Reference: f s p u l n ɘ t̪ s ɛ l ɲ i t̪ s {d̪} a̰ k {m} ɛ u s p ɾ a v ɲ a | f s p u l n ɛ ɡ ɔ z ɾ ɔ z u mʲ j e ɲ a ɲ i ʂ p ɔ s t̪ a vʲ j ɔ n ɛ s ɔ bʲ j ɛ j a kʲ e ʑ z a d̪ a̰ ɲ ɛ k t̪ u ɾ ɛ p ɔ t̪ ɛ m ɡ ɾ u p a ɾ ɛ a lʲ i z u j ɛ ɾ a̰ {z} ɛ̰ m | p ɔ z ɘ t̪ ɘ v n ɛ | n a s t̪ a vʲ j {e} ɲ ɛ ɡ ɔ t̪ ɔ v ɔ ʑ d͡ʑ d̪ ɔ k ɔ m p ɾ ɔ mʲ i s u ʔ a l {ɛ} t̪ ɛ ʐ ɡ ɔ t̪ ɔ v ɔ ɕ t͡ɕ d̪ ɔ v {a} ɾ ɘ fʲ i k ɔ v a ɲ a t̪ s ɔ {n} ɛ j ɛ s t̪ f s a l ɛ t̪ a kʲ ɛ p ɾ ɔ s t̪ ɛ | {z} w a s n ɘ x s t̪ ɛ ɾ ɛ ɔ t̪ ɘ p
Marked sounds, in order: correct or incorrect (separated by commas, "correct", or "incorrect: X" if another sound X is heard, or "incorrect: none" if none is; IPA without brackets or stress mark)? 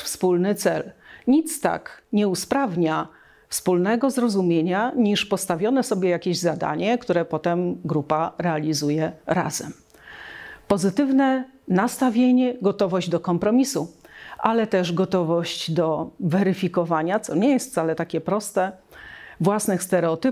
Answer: incorrect: t̪, incorrect: ɲ, correct, correct, correct, incorrect: ɛ, incorrect: ɲ, incorrect: v